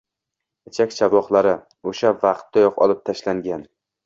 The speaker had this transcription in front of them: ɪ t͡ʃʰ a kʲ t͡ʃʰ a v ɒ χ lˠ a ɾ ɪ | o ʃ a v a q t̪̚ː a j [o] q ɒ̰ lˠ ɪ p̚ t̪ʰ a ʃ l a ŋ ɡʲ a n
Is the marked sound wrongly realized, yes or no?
yes